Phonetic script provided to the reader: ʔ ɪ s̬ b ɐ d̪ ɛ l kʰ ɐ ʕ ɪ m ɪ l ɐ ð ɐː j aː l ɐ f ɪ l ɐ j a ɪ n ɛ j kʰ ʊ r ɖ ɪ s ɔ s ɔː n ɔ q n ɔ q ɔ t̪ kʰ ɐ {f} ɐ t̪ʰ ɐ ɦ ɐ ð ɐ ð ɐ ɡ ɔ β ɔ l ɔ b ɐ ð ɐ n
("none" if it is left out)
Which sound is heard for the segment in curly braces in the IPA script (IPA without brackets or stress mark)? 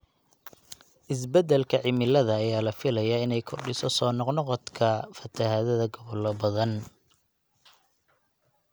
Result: f